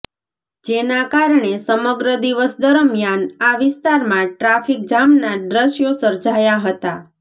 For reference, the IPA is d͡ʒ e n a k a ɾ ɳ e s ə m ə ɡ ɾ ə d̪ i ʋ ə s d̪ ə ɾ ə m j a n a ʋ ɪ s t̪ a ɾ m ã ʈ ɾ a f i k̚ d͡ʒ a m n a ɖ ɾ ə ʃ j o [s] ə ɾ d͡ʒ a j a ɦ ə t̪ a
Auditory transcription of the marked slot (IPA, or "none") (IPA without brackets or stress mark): s